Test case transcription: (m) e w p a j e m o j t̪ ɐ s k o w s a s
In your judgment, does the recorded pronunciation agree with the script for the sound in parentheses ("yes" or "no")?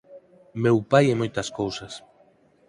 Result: yes